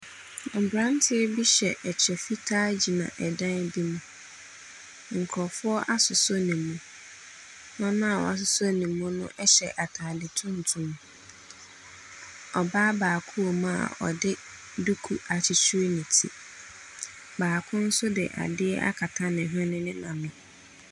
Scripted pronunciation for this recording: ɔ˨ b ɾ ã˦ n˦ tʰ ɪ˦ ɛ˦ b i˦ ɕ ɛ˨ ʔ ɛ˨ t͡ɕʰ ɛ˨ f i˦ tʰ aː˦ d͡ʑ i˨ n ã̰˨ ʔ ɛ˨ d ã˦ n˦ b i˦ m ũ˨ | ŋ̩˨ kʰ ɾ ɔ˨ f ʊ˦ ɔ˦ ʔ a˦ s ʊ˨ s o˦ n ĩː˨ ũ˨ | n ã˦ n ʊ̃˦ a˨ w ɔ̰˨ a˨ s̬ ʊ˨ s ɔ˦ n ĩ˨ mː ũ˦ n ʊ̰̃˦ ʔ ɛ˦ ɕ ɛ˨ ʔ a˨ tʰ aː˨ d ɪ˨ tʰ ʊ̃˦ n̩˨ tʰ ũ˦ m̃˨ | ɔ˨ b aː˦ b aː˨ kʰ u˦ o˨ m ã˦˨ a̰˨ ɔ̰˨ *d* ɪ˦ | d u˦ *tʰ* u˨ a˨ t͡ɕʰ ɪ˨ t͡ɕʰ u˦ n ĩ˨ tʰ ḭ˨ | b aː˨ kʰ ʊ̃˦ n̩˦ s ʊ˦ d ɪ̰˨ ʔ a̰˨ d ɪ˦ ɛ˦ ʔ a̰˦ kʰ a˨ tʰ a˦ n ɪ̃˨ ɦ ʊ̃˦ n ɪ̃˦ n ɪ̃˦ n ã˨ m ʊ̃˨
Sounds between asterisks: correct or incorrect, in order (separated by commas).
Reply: correct, incorrect